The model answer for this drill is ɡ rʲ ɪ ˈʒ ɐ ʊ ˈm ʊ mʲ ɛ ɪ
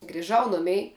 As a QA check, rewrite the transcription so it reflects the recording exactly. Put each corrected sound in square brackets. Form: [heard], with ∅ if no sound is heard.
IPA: ɡ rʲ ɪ ˈʒ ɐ ʊ [ˈn] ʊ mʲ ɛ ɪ